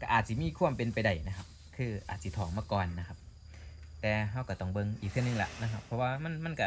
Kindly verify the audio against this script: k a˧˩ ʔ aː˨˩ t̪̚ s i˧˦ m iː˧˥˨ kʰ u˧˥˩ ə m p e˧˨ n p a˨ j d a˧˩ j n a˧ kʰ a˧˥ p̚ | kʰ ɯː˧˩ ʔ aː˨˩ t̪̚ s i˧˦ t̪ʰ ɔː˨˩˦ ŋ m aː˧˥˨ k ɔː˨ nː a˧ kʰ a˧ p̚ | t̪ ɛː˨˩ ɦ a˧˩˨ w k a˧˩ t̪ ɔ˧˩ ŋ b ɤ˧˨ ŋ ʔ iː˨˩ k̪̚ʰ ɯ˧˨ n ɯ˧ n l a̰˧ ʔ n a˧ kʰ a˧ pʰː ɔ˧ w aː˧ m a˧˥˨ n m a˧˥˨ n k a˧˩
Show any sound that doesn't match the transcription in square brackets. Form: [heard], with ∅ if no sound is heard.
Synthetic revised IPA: k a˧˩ ʔ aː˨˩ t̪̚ s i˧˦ m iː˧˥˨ kʰ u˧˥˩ ə m p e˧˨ n p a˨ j d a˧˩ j n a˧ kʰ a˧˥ p̚ | kʰ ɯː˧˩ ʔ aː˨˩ t̪̚ s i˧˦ t̪ʰ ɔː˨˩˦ ŋ m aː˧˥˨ k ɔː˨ nː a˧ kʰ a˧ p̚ | t̪ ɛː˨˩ ɦ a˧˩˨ w k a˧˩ t̪ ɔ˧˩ ŋ b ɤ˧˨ ŋ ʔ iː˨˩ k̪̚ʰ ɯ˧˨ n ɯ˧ [ŋ] l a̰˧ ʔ n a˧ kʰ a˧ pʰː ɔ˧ w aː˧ m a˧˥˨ n m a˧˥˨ n k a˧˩